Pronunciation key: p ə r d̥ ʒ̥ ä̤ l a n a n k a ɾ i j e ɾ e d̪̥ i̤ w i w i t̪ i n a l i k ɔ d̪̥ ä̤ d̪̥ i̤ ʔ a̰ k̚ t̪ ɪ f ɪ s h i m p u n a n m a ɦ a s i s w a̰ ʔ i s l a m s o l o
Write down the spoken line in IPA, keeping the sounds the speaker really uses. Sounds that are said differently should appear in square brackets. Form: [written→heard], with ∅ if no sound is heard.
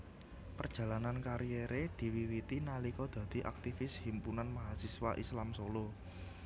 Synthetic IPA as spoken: p ə r d̥ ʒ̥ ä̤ l a n a n k a ɾ i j e ɾ e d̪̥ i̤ w i w i t̪ i n a l i k ɔ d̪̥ ä̤ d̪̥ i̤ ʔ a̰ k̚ t̪ [ɪ→i] f ɪ s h i m p u n a n m a ɦ a s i s w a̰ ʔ i s l a m s o l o